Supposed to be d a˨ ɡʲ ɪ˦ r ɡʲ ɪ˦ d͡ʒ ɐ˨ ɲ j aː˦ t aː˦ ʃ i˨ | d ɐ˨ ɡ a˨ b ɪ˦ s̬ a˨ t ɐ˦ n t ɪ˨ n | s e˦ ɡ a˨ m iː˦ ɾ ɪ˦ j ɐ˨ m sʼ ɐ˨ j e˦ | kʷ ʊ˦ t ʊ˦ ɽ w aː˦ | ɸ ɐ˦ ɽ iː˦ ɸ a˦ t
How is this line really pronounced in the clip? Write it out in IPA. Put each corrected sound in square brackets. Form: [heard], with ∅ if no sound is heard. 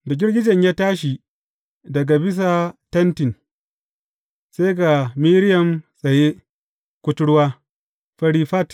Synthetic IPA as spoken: d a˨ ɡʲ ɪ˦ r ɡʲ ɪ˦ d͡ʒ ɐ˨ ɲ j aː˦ t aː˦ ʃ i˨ | d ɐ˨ ɡ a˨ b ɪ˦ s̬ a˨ t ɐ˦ n t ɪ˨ n | s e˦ ɡ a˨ m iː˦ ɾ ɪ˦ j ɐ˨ m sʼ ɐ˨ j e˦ | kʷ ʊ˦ t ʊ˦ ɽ w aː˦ | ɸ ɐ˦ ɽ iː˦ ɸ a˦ t